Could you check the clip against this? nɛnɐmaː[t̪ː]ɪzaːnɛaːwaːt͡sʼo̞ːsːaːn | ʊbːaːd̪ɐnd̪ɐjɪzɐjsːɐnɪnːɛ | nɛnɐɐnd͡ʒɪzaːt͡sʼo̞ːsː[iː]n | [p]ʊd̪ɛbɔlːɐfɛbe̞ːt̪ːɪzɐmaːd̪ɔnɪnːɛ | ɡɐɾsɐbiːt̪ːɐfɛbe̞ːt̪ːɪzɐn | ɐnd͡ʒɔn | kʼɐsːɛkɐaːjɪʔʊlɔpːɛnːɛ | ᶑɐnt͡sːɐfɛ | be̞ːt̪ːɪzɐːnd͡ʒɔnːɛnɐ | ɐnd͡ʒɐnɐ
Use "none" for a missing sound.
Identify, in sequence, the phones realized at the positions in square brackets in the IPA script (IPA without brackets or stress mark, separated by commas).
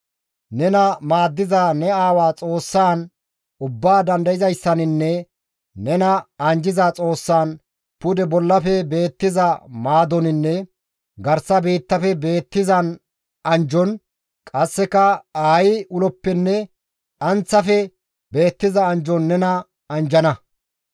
d̪ː, aː, p